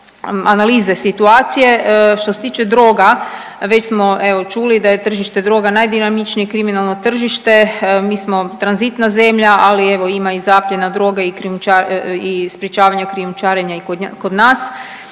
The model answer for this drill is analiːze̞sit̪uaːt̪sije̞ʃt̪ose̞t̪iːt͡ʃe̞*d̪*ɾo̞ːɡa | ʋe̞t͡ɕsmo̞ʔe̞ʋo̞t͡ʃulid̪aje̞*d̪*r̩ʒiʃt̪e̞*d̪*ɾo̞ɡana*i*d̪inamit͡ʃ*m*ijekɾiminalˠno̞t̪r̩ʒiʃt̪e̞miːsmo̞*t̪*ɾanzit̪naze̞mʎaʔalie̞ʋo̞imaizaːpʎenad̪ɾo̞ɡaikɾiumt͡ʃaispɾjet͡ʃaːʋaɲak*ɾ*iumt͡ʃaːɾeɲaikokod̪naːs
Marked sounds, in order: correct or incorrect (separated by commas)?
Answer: correct, incorrect, correct, incorrect, incorrect, correct, correct